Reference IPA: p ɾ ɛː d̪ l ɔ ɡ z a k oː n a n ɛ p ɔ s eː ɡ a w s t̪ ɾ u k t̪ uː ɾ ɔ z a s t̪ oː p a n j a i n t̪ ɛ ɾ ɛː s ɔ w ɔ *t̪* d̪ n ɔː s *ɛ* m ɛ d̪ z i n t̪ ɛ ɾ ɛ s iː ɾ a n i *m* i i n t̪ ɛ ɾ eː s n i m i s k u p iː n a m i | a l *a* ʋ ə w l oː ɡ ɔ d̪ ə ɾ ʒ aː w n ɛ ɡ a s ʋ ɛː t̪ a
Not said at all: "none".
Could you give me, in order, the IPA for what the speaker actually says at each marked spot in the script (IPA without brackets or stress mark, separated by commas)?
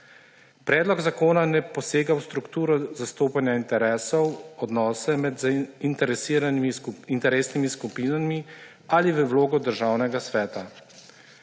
none, ɛ, m, i